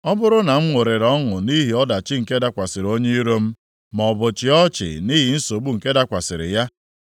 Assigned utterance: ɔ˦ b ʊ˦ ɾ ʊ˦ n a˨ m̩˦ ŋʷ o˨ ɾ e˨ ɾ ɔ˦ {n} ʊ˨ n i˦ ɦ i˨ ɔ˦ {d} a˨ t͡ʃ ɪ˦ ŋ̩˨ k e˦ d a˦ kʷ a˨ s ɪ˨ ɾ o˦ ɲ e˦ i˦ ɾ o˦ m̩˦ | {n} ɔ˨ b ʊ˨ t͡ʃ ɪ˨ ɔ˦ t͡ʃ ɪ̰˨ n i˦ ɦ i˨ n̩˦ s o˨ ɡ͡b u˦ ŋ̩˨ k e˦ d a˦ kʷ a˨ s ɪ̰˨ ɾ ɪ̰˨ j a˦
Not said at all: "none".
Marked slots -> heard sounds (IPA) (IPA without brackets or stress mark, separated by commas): ŋ, d, m